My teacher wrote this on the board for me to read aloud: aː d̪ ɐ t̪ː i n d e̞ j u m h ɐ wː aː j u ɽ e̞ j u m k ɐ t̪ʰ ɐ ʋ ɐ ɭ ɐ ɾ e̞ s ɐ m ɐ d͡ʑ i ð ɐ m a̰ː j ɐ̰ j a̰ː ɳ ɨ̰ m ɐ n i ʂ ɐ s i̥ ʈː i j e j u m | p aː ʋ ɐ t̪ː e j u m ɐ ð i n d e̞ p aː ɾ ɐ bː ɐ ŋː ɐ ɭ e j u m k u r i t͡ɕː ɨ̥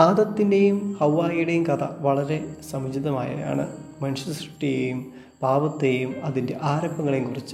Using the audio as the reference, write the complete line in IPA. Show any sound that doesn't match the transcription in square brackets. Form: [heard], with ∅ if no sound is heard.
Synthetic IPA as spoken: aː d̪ ɐ t̪ː i n d e̞ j u m h ɐ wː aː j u ɽ e̞ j u m k ɐ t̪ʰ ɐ ʋ ɐ ɭ ɐ ɾ e̞ s ɐ m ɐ d͡ʑ i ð ɐ m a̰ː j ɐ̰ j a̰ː ɳ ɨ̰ m ɐ n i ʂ ɐ s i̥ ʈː i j e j u m | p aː ʋ ɐ t̪ː e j u m ɐ ð i n d e̞ [ʔ] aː ɾ ɐ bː ɐ ŋː ɐ ɭ e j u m k u r i t͡ɕː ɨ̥